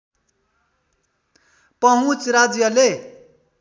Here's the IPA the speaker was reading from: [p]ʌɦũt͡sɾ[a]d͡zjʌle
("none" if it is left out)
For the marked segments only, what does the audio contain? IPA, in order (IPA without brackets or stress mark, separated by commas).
p, a